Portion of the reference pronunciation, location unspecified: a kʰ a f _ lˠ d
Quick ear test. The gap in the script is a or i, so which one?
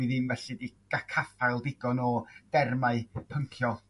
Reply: a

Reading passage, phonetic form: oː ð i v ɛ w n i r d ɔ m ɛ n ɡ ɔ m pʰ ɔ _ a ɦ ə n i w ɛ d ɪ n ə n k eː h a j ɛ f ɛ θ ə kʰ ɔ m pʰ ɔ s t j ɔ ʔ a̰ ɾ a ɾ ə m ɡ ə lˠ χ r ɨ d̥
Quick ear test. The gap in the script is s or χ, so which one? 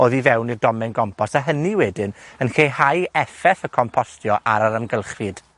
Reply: s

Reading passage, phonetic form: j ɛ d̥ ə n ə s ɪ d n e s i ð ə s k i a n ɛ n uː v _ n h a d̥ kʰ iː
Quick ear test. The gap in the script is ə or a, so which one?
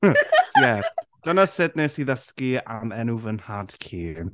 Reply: ə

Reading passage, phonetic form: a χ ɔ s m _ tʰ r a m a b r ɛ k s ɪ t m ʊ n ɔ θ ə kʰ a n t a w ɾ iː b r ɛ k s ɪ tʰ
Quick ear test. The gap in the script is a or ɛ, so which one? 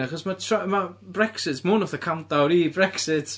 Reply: a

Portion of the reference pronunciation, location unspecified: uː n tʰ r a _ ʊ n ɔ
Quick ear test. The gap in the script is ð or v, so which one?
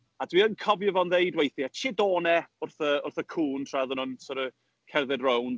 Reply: ð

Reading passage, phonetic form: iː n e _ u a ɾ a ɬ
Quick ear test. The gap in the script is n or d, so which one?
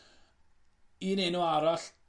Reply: n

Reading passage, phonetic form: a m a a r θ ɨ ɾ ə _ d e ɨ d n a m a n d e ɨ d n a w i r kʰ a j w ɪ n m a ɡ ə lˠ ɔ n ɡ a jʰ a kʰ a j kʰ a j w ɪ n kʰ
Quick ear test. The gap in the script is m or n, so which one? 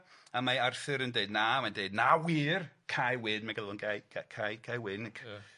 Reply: n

